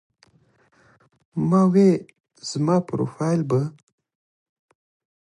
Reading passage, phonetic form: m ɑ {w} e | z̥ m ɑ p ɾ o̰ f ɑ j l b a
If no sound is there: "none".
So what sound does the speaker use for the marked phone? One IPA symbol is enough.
w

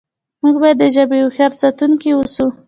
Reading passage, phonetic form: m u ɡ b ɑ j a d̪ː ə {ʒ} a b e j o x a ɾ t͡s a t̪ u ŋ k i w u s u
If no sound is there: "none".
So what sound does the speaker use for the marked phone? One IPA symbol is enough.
ʒ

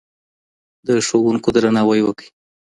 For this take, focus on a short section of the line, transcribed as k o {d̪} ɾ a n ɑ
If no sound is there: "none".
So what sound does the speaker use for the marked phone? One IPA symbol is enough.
d̪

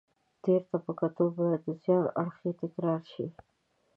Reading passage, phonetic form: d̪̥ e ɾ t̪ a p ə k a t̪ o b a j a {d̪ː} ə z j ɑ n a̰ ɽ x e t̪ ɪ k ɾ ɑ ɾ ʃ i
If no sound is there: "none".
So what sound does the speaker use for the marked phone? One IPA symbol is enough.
d̪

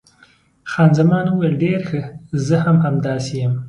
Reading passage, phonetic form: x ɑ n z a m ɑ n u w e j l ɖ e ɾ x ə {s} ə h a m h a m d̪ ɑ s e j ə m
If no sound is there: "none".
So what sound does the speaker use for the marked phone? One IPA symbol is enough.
z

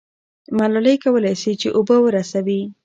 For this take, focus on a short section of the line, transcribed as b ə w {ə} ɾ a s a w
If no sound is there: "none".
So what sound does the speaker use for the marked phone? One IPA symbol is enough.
ə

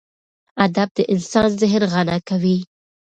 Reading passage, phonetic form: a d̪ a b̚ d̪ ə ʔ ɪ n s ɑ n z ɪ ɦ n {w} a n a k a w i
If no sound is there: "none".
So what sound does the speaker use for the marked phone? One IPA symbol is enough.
ɣ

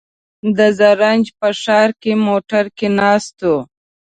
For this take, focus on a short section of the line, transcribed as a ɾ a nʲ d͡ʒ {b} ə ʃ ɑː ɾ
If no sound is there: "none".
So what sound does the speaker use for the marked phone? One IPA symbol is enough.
p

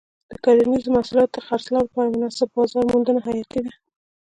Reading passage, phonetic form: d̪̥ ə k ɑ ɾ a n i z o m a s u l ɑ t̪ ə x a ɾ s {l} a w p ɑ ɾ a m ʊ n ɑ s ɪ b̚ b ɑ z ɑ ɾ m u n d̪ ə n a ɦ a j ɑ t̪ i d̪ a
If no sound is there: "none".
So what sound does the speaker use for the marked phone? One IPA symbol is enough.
l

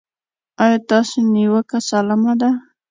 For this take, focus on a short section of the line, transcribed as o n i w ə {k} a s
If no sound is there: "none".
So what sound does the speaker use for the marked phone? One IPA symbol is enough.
k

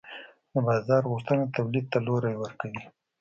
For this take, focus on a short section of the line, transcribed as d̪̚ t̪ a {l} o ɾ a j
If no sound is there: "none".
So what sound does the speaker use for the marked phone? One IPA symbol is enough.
l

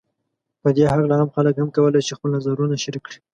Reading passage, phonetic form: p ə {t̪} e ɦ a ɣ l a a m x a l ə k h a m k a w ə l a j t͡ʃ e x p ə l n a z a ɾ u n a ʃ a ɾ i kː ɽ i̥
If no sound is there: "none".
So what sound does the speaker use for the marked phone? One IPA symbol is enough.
d̪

